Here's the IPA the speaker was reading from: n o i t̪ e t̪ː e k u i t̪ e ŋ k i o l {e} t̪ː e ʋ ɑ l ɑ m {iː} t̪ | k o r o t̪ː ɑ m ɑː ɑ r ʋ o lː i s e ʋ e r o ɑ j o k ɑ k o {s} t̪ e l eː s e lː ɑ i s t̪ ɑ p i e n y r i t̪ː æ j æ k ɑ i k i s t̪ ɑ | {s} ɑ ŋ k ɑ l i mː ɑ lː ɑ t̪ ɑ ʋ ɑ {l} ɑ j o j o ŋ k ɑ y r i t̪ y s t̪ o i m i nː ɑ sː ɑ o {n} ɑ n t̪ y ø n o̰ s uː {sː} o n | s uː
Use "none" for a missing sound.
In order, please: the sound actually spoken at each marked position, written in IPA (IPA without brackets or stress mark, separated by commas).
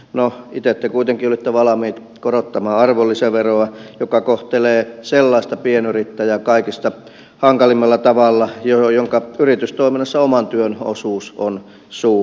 i, iː, h, h, lː, m, s